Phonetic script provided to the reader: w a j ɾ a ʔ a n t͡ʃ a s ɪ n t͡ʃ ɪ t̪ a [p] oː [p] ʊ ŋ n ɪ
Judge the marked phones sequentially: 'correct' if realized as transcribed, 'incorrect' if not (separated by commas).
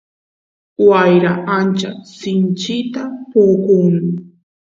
correct, incorrect